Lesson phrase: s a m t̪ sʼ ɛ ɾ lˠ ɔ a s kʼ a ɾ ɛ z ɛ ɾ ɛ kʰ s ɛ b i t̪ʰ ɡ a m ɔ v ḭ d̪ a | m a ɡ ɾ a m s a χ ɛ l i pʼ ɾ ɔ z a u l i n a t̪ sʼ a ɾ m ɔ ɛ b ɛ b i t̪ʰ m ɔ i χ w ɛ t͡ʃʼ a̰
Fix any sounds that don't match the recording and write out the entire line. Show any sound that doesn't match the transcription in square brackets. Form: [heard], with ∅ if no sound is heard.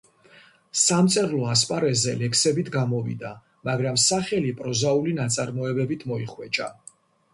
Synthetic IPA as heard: s a m t̪ sʼ ɛ ɾ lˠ ɔ a s [pʼ] a ɾ ɛ z ɛ [l] ɛ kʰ s ɛ b i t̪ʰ ɡ a m ɔ v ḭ d̪ a | m a ɡ ɾ a m s a χ ɛ l i pʼ ɾ ɔ z a u l i n a t̪ sʼ a ɾ m ɔ ɛ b ɛ b i t̪ʰ m ɔ i χ w ɛ t͡ʃʼ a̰

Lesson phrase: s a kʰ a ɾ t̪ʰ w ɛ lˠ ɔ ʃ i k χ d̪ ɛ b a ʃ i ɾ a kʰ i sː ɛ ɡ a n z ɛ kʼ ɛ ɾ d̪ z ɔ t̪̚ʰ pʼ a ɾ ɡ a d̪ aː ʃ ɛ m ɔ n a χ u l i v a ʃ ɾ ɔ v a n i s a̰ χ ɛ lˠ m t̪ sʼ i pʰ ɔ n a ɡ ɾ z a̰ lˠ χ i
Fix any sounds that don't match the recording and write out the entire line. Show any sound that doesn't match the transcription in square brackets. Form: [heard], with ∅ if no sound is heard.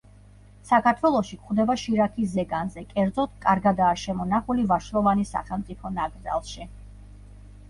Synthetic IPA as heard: s a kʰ a ɾ t̪ʰ w ɛ lˠ ɔ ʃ i k χ d̪ ɛ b a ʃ i ɾ a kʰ i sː ɛ ɡ a n z ɛ kʼ ɛ ɾ d̪ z ɔ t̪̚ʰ [kʼ] a ɾ ɡ a d̪ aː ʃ ɛ m ɔ n a χ u l i v a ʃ ɾ ɔ v a n i s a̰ χ ɛ lˠ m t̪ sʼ i pʰ ɔ n a ɡ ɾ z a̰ lˠ [ʃ] i

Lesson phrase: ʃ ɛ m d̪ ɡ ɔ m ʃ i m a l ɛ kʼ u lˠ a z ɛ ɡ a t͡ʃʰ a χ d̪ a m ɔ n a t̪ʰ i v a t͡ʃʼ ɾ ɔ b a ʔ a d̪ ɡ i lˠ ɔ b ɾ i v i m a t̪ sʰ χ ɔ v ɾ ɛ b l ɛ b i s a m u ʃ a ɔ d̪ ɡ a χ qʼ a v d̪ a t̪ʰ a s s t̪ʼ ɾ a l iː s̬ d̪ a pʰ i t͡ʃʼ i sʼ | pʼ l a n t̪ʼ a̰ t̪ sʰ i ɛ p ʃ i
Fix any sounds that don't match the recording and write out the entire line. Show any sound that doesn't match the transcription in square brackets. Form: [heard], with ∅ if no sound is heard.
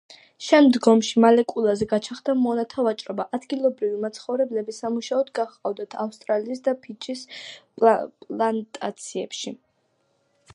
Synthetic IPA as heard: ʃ ɛ m d̪ ɡ ɔ m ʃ i m a l ɛ kʼ u lˠ a z ɛ ɡ a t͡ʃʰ a χ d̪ a m ɔ n a t̪ʰ [a] v a t͡ʃʼ ɾ ɔ b a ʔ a d̪ ɡ i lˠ ɔ b ɾ i v i m a t̪ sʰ χ ɔ v ɾ ɛ b l ɛ b i s a m u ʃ a ɔ d̪ ɡ a χ qʼ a v d̪ a t̪ʰ a [f] s t̪ʼ ɾ a l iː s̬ d̪ a pʰ i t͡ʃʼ i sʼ | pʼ l a n t̪ʼ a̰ t̪ sʰ i ɛ p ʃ i

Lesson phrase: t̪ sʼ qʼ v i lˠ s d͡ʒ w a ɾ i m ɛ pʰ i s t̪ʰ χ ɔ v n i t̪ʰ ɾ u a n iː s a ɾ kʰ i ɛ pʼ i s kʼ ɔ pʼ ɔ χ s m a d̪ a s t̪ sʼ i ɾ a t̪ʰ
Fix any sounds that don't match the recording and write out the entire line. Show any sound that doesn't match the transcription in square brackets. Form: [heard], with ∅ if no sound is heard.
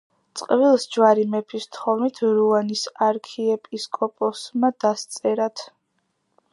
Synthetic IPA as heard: t̪ sʼ qʼ v i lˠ s d͡ʒ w a ɾ i m ɛ pʰ i s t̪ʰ χ ɔ v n i t̪ʰ ɾ u a n [i] s a ɾ kʰ i ɛ pʼ i s kʼ ɔ pʼ ɔ [∅] s m a d̪ a s t̪ sʼ [ɛ] ɾ a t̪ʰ

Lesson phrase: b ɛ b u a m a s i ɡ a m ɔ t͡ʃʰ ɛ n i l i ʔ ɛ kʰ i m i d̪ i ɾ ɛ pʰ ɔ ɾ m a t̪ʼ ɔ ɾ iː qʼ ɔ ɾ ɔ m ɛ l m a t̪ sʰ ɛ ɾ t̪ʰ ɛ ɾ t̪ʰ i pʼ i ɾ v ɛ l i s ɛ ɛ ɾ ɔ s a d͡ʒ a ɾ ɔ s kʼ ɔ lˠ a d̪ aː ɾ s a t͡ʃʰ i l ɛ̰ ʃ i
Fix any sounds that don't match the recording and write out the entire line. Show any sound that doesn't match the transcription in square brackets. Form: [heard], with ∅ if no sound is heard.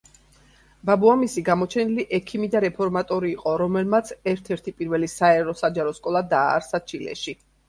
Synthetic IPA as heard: b [a] b u a m [i] s i ɡ a m ɔ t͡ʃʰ ɛ n i l i ʔ ɛ kʰ i m i d̪ [a] ɾ ɛ pʰ ɔ ɾ m a t̪ʼ ɔ ɾ iː qʼ ɔ ɾ ɔ m ɛ l m a t̪ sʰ ɛ ɾ t̪ʰ ɛ ɾ t̪ʰ i pʼ i ɾ v ɛ l i s [a] ɛ ɾ ɔ s a d͡ʒ a ɾ ɔ s kʼ ɔ lˠ a d̪ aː ɾ s a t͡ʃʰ i l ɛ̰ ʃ i

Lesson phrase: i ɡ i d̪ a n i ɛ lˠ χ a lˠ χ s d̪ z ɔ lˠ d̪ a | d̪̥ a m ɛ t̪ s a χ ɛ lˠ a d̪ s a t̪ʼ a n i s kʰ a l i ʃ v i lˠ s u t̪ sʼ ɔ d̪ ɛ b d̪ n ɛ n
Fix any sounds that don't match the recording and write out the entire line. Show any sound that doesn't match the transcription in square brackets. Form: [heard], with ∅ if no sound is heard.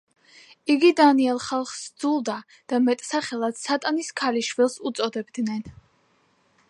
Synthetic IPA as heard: i ɡ i d̪ a n i ɛ lˠ χ a lˠ χ s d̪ z [u] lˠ d̪ a | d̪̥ a m ɛ [t̪ʼ] s a χ ɛ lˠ a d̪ s a t̪ʼ a n i s kʰ a l i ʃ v i lˠ s u t̪ sʼ ɔ d̪ ɛ b d̪ n ɛ n

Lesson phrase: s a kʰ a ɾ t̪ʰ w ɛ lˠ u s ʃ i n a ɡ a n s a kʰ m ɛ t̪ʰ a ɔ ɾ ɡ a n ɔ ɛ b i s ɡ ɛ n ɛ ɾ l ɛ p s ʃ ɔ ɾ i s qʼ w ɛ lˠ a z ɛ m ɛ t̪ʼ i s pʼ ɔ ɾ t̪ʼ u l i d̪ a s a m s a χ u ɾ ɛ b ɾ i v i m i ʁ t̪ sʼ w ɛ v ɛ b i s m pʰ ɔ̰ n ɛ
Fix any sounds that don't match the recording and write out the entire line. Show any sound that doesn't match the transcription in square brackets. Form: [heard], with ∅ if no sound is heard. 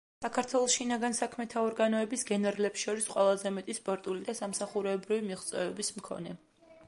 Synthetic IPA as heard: s a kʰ a ɾ t̪ʰ w ɛ lˠ [ɔ] s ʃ i n a ɡ a n s a kʰ m ɛ t̪ʰ a ɔ ɾ ɡ a n ɔ ɛ b i s ɡ ɛ n ɛ ɾ l ɛ p s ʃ ɔ ɾ i s qʼ w ɛ lˠ a z ɛ m ɛ t̪ʼ i s pʼ ɔ ɾ t̪ʼ u l i d̪ a s a m s a χ u ɾ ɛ b ɾ i v i m i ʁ t̪ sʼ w ɛ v ɛ b i s m [kʰ] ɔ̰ n ɛ

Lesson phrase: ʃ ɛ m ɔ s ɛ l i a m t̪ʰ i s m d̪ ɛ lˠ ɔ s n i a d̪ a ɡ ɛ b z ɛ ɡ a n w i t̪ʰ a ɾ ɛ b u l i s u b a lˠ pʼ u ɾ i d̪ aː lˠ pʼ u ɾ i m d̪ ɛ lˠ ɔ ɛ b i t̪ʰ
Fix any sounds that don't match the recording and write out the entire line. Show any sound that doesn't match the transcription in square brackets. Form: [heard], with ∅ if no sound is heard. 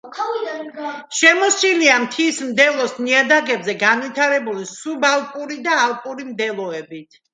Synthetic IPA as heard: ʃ ɛ m ɔ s [i] l i a m t̪ʰ i s m d̪ ɛ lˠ ɔ s n i a d̪ a ɡ ɛ b z ɛ ɡ a n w i t̪ʰ a ɾ ɛ b u l i s u b a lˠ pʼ u ɾ i d̪ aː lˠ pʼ u ɾ i m d̪ ɛ lˠ ɔ ɛ b i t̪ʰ

